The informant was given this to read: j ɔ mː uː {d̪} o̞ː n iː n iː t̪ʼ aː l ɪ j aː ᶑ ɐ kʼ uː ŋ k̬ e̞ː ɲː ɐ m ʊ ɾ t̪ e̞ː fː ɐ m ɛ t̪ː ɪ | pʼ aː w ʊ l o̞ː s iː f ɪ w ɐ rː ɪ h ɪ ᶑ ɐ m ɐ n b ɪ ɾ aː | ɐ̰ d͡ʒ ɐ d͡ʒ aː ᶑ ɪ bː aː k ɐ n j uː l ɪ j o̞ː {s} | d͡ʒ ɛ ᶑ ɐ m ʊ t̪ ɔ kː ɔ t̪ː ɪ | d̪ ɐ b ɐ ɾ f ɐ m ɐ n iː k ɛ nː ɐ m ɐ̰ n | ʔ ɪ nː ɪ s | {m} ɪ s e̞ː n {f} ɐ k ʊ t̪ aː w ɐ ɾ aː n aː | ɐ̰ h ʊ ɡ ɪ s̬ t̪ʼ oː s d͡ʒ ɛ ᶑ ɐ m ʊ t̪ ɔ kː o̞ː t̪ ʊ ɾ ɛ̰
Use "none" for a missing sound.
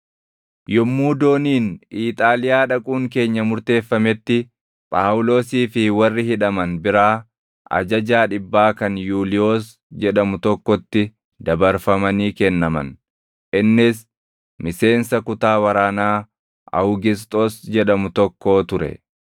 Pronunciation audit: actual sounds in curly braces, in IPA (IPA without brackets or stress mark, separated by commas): d̪, s, m, s